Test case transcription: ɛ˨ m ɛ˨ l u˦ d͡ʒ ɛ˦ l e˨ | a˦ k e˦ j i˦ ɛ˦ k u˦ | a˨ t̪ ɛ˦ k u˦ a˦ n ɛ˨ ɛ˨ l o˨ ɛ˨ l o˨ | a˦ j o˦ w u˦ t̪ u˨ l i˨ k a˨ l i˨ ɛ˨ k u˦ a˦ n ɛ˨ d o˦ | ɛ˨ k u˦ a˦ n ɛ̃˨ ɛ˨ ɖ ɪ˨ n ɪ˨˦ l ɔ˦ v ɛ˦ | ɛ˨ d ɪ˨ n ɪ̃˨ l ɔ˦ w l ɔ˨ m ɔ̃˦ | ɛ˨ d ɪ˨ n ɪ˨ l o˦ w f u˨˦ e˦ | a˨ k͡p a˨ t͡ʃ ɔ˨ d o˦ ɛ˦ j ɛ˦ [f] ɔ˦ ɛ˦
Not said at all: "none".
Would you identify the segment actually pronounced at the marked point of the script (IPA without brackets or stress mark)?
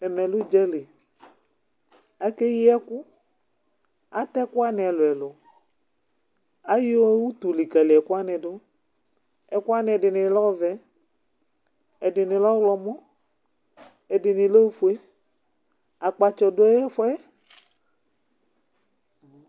f